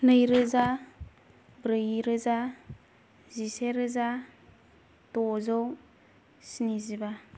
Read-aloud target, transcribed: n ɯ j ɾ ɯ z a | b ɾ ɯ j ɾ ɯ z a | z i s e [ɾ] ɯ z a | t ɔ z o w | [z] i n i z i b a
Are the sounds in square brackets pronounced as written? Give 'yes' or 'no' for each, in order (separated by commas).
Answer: yes, no